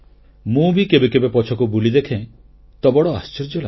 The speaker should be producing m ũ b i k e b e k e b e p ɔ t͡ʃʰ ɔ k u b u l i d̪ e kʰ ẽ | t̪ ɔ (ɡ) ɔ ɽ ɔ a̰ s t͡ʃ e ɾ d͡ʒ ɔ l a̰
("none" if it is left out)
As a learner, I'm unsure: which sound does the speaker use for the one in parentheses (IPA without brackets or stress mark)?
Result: b